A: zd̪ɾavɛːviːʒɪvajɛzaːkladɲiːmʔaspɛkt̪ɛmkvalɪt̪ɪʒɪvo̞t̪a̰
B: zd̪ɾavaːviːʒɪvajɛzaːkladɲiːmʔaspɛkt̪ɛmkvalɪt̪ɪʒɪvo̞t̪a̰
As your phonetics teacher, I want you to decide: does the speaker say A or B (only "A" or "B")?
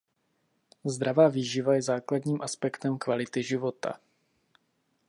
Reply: B